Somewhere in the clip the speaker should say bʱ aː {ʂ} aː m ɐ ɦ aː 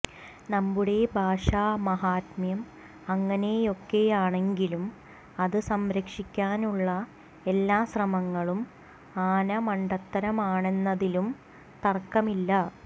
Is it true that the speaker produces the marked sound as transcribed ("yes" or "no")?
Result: yes